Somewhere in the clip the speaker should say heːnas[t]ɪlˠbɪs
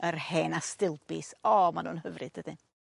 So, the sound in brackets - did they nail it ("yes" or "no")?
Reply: yes